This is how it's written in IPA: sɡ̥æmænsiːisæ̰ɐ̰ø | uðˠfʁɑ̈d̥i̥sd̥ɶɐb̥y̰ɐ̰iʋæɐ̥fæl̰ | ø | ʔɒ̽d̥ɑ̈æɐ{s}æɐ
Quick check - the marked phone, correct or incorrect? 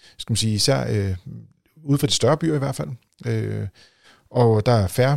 incorrect